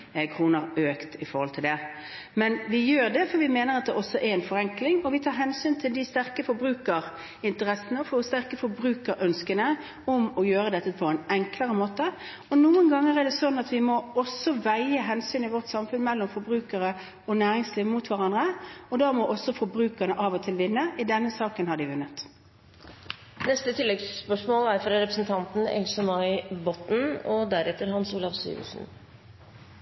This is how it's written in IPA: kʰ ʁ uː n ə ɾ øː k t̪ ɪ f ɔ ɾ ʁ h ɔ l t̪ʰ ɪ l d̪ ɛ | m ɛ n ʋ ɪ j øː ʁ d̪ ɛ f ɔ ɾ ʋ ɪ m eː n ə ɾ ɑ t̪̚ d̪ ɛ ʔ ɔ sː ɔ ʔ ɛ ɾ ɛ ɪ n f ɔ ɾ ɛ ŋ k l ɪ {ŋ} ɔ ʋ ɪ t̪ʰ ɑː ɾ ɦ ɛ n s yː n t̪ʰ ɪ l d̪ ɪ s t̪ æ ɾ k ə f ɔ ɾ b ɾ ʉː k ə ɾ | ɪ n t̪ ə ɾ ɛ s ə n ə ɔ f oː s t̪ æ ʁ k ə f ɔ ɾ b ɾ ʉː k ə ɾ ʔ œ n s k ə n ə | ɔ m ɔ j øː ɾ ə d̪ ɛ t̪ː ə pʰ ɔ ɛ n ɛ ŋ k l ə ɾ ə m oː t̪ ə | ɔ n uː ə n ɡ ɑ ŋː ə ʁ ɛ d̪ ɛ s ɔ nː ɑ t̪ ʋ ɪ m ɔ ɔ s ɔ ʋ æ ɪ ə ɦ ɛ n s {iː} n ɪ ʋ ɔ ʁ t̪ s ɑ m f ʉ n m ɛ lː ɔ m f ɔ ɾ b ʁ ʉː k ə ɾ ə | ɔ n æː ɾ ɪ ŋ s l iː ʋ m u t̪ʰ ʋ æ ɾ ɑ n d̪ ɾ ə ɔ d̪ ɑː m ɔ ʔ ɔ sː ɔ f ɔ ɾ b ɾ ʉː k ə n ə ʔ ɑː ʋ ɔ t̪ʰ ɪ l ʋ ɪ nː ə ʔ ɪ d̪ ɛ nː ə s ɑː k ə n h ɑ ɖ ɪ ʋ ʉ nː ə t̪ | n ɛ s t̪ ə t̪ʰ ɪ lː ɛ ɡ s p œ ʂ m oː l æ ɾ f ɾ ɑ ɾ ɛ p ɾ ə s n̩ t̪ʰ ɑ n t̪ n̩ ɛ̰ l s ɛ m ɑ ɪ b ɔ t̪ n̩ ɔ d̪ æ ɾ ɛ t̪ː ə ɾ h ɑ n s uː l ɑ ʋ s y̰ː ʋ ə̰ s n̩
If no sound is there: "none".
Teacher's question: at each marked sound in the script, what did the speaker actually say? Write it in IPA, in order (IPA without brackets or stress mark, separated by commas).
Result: ŋ, yː